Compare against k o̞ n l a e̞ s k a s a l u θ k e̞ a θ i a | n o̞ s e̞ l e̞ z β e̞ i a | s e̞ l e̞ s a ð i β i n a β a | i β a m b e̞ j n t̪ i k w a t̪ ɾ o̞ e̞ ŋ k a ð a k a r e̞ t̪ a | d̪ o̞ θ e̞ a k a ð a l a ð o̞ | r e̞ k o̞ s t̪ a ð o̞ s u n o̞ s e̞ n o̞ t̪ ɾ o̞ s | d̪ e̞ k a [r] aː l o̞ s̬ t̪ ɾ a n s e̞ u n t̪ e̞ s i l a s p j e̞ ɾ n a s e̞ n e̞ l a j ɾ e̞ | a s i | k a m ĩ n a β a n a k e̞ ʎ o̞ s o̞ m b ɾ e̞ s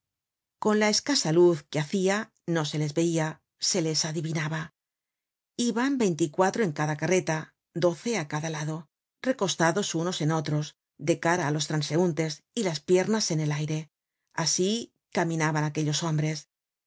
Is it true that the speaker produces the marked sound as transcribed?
no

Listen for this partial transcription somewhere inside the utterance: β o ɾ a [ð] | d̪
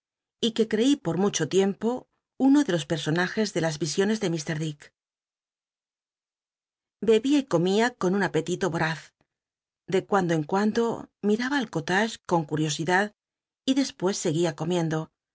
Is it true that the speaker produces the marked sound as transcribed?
no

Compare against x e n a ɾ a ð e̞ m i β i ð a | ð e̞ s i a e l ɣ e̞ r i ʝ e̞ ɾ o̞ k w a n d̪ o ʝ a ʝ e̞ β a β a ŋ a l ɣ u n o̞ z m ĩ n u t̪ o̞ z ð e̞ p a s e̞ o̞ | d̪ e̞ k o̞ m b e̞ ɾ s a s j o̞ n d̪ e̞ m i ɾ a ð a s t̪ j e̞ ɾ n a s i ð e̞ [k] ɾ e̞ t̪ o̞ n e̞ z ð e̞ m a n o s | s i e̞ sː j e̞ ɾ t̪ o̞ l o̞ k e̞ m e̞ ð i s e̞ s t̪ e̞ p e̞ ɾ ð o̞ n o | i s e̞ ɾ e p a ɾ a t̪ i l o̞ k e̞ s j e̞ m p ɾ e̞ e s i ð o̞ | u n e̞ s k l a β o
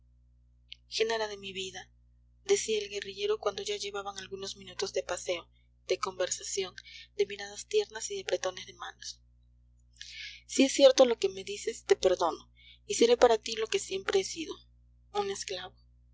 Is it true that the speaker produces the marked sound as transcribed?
no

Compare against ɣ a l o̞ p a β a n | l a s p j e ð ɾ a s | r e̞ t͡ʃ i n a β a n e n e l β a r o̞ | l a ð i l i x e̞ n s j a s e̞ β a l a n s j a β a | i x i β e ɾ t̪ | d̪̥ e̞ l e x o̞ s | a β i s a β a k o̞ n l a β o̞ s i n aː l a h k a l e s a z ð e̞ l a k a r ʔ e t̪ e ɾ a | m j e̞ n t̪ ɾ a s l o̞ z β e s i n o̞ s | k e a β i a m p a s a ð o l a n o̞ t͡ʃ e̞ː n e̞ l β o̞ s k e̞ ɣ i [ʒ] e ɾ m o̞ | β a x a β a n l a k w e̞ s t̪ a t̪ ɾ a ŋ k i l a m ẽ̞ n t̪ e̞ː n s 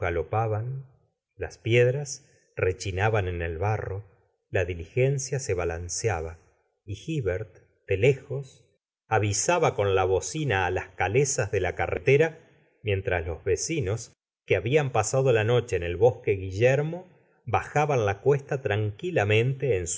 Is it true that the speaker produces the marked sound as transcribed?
yes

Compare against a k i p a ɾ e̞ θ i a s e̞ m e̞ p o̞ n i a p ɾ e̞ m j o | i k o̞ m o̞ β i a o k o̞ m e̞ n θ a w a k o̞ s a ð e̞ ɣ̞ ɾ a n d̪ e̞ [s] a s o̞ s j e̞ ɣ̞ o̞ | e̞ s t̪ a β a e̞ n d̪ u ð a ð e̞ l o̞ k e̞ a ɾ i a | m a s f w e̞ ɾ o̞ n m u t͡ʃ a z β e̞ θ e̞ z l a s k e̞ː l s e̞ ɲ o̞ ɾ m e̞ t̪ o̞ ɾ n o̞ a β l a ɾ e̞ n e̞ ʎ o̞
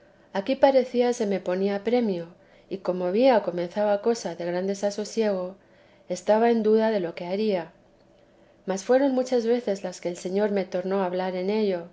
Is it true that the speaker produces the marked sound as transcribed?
yes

